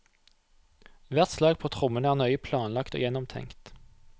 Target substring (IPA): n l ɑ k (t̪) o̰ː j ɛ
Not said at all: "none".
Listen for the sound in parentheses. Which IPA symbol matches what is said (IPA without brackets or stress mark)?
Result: t̪